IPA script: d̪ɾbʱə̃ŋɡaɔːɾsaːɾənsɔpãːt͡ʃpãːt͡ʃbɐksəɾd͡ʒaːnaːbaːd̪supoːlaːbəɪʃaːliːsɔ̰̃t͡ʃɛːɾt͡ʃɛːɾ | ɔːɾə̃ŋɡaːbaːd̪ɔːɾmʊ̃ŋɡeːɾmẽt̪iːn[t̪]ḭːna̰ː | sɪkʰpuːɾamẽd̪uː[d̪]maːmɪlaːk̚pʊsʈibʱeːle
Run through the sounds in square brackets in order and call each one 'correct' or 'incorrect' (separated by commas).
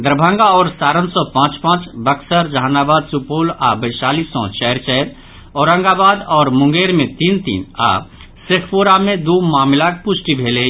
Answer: correct, incorrect